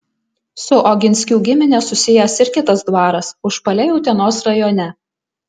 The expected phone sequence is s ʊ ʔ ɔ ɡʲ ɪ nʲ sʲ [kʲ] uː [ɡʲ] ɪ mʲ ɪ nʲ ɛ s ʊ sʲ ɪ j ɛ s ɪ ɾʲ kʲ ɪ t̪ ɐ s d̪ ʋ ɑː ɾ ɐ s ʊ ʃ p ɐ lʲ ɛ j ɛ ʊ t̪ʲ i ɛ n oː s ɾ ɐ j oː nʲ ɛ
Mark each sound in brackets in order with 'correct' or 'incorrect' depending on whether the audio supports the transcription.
correct, correct

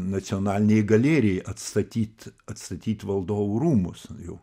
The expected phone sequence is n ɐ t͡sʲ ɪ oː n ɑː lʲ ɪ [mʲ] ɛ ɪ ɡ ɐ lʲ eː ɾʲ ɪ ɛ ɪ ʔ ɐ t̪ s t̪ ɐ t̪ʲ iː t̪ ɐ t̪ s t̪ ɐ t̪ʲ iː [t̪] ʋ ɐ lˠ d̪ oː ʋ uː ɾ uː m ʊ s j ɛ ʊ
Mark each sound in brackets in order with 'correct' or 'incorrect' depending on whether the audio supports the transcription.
incorrect: nʲ, correct

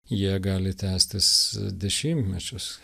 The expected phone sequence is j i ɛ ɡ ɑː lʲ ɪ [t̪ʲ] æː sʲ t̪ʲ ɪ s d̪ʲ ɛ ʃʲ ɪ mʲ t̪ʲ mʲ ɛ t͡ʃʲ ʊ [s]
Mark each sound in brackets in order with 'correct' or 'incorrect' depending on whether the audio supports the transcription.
correct, correct

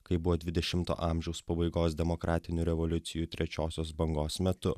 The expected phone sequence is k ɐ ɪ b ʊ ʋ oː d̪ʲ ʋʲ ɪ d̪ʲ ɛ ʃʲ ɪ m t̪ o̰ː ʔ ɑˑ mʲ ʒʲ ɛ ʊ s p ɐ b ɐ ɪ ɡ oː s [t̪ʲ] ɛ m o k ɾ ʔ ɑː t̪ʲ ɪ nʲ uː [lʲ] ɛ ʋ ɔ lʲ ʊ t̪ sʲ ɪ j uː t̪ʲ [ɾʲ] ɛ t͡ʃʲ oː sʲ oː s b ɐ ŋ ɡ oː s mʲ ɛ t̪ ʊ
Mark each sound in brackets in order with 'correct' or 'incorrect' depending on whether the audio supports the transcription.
incorrect: d̪ʲ, incorrect: ɾʲ, correct

